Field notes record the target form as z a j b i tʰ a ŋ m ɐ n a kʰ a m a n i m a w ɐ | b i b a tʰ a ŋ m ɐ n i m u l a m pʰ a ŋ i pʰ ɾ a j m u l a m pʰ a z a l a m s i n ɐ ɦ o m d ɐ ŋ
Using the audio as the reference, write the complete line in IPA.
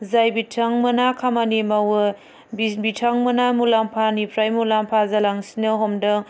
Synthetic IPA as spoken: z a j b i tʰ a ŋ m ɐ n a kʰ a m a n i m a w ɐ | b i b i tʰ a ŋ m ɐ n a m u l a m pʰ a n i pʰ ɾ a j m u l a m pʰ a z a l a ŋ s i n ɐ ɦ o m d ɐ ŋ